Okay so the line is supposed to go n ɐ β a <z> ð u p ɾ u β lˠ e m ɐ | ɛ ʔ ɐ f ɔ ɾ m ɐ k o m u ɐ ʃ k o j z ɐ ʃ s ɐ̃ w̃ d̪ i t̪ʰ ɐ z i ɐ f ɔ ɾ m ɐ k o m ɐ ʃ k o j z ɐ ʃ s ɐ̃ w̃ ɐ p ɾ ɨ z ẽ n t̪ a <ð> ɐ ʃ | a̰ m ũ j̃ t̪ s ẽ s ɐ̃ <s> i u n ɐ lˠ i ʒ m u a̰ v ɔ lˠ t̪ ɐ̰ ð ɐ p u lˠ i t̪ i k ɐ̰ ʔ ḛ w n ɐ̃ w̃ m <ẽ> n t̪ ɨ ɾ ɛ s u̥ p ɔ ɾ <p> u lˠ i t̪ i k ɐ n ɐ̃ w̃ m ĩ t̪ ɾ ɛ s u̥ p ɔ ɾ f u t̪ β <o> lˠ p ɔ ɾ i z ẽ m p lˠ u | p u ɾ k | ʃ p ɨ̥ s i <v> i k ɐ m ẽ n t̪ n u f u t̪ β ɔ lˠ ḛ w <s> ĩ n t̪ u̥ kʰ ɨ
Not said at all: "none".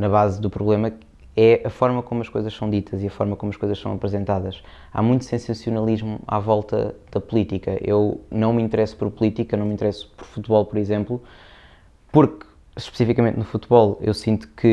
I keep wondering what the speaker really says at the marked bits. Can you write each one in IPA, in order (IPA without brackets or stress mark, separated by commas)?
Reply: z, ð, s, ĩ, p, ɔ, f, s